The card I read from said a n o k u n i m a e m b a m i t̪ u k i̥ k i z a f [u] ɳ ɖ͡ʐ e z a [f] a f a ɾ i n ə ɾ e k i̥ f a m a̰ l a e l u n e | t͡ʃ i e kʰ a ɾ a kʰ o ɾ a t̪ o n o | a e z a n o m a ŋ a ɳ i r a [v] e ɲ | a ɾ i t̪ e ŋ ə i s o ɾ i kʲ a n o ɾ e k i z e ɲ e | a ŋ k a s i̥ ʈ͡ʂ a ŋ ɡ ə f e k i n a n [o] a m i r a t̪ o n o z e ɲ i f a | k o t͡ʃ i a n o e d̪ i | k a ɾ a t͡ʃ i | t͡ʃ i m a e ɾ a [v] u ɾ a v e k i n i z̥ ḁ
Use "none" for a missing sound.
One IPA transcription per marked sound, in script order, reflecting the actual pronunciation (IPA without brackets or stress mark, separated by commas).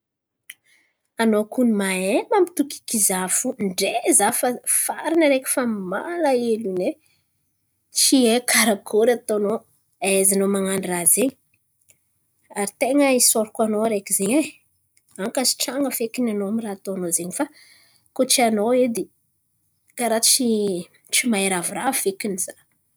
u, f, z, o, v